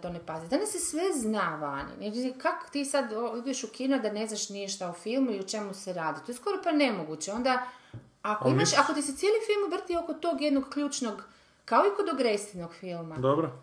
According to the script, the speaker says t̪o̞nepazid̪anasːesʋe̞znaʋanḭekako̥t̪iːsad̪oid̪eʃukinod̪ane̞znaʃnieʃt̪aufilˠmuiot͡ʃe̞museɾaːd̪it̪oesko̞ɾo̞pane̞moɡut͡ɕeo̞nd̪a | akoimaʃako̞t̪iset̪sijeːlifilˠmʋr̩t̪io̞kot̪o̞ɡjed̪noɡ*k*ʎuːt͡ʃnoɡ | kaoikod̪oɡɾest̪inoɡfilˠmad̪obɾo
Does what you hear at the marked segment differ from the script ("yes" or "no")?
no